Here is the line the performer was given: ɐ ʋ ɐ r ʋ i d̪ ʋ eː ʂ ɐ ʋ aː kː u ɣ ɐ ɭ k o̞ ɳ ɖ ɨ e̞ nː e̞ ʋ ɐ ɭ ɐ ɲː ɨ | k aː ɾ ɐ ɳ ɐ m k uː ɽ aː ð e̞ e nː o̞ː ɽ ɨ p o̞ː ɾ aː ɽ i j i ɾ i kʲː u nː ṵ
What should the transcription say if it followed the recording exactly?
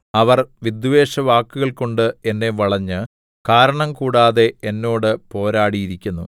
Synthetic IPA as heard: ɐ ʋ ɐ r ʋ i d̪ ʋ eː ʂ ɐ ʋ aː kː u ɣ ɐ ɭ k o̞ ɳ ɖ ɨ e̞ nː e̞ ʋ ɐ ɭ ɐ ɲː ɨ | k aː ɾ ɐ ɳ ɐ m k uː ɽ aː ð e̞ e nː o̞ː ɽ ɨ p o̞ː ɾ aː ɽ i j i ɾ i kʲː u nː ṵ